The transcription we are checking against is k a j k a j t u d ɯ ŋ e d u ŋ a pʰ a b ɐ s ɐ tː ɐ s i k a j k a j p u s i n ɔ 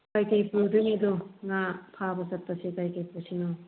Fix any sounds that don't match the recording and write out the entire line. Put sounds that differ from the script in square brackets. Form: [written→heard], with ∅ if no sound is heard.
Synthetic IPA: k a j k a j [t→p] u d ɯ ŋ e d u ŋ a pʰ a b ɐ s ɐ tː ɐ s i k a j k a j p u s i n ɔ